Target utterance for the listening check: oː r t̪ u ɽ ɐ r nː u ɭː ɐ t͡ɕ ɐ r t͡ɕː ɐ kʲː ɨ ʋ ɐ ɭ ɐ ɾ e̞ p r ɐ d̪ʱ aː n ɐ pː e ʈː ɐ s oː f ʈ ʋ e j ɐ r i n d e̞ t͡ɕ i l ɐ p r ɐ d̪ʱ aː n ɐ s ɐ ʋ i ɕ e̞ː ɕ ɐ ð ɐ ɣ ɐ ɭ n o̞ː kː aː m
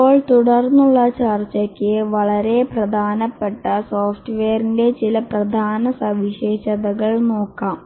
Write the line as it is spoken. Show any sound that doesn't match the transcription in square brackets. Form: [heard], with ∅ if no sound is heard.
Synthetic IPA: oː [ɭ] t̪ u ɽ ɐ r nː u ɭː ɐ t͡ɕ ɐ r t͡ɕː ɐ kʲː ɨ ʋ ɐ ɭ ɐ ɾ e̞ p r ɐ d̪ʱ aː n ɐ pː e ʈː ɐ s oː f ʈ ʋ e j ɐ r i n d e̞ t͡ɕ i l ɐ p r ɐ d̪ʱ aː n ɐ s ɐ ʋ i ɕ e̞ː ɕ ɐ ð ɐ ɣ ɐ ɭ n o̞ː kː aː m